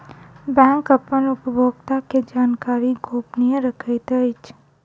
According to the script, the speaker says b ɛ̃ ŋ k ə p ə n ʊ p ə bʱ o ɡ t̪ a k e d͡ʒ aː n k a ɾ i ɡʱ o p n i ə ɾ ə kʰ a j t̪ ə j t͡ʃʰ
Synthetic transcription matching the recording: b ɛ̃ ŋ k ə p ə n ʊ p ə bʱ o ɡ t̪ a k e d͡ʒ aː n k a ɾ i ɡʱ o p n i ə ɾ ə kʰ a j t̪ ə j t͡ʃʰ